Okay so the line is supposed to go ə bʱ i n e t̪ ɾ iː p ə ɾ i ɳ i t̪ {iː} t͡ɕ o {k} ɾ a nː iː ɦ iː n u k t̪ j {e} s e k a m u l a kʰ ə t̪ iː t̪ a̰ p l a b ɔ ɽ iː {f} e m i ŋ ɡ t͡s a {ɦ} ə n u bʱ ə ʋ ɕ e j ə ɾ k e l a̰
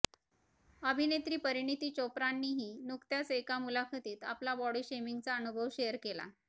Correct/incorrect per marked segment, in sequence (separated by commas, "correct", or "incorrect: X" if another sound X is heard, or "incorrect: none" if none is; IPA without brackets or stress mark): correct, incorrect: p, incorrect: a, incorrect: ɕ, incorrect: none